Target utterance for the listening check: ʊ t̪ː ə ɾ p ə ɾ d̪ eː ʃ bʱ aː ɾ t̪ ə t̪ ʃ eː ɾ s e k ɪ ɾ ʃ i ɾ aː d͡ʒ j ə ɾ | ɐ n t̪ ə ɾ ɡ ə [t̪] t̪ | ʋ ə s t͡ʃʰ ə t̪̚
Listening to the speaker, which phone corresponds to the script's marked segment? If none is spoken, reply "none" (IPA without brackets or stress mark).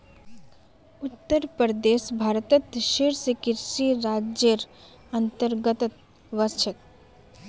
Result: t̪